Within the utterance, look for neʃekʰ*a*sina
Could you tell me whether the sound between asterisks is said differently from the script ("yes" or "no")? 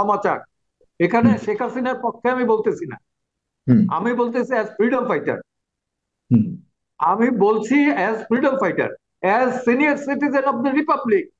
no